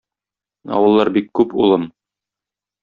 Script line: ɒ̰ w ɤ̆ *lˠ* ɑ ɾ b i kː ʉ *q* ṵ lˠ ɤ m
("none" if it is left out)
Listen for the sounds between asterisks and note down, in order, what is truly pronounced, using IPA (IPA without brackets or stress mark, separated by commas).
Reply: lˠː, p